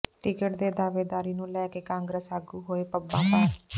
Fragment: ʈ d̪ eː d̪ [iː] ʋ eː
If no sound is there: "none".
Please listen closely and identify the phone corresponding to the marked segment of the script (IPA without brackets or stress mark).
aː